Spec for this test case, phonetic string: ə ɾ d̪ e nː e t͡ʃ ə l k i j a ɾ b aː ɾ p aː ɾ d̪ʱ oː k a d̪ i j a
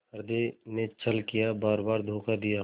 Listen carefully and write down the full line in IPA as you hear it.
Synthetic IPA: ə ɾ d̪ e n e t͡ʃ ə l k i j a b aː ɾ b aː ɾ d̪ʱ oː k a d̪ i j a